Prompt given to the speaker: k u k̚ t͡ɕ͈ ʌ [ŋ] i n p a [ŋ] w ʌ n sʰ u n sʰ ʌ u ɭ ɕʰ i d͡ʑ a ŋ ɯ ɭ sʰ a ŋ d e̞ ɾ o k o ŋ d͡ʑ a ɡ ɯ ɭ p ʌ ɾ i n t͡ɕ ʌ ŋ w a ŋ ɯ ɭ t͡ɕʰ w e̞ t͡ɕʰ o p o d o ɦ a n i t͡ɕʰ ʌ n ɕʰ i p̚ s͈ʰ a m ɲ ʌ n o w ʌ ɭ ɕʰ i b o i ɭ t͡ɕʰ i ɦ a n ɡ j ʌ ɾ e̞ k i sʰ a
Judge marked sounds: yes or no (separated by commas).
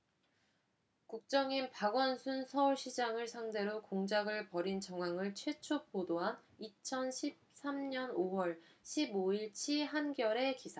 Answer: yes, no